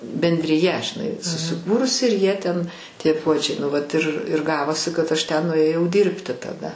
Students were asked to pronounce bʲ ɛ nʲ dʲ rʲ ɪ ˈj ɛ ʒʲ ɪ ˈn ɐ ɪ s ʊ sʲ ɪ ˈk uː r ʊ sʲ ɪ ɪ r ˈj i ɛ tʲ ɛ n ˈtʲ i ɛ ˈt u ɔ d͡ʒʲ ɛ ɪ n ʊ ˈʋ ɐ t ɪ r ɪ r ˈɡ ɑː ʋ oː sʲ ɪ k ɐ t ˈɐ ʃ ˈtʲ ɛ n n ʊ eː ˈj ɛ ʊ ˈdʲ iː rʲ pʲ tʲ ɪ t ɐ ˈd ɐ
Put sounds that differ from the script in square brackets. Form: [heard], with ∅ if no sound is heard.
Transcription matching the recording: bʲ ɛ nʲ dʲ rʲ ɪ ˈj ɛ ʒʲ ɪ ˈn ɐ ɪ s ʊ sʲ ɪ ˈk uː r ʊ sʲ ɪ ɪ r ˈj i ɛ tʲ ɛ n ˈtʲ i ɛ [ˈp] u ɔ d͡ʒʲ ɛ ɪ n ʊ ˈʋ ɐ t ɪ r ɪ r ˈɡ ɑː ʋ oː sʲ ɪ k ɐ t ˈɐ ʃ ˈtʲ ɛ n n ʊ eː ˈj ɛ ʊ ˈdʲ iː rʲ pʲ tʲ ɪ t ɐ ˈd ɐ